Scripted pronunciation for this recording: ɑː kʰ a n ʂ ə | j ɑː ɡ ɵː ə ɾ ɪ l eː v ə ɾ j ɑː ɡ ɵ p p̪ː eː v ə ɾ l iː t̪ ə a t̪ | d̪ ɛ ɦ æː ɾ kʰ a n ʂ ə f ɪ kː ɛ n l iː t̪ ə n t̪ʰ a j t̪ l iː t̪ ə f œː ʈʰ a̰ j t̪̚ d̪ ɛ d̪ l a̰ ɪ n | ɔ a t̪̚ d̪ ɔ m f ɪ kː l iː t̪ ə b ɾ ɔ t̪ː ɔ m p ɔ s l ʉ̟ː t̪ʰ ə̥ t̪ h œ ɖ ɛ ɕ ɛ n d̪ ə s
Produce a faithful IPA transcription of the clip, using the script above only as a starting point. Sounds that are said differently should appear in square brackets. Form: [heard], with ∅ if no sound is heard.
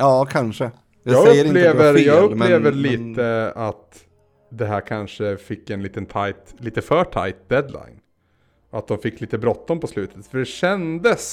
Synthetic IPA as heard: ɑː kʰ a n ʂ ə | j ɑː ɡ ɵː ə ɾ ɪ l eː v ə ɾ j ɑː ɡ ɵ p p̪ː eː v ə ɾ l iː t̪ ə a t̪ | d̪ ɛ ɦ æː ɾ kʰ a n ʂ ə f ɪ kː ɛ n l iː t̪ ə n t̪ʰ a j t̪ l iː t̪ ə f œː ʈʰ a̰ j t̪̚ d̪ ɛ d̪ l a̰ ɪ n | ɔ a t̪̚ d̪ ɔ m f ɪ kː l iː t̪ ə b ɾ ɔ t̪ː ɔ m p ɔ s l ʉ̟ː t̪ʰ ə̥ t̪ [f] œ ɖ ɛ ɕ ɛ n d̪ ə s